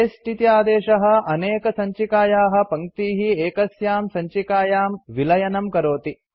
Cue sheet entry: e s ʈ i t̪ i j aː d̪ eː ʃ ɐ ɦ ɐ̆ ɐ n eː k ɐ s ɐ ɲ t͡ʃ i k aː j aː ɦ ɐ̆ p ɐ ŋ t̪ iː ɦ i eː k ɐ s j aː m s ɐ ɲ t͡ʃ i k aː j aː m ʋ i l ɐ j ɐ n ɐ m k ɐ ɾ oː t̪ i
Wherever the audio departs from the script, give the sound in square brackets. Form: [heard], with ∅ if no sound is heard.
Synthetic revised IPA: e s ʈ i t̪ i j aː d̪ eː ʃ ɐ ɦ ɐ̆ ɐ n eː k ɐ s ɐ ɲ t͡ʃ i k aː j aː ɦ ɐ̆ p ɐ ŋ t̪ iː ɦ i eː k ɐ s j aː m s ɐ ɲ t͡ʃ i k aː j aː m ʋ i l ɐ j ɐ n ɐ m k ɐ ɾ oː t̪ i